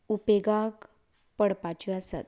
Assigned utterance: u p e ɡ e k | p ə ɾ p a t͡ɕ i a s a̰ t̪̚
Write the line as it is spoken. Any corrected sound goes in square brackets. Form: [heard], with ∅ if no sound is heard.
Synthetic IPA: u p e ɡ [a] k | p ə [ɽ] p a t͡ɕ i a s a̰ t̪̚